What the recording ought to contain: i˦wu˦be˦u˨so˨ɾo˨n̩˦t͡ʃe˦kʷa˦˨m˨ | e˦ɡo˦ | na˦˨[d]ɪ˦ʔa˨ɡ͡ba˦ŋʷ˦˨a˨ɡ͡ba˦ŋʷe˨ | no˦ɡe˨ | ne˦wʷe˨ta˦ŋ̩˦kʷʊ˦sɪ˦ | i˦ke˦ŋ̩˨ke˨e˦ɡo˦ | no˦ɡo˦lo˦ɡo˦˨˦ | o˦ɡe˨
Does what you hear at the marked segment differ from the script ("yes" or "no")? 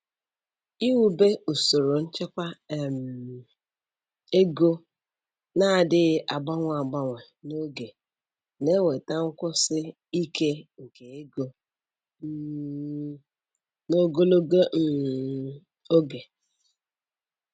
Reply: no